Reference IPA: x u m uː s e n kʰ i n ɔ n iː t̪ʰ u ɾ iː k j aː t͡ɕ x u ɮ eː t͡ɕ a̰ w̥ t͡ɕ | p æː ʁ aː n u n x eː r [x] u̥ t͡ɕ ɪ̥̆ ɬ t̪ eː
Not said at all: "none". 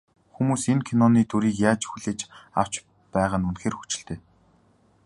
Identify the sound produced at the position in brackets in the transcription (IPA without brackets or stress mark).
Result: x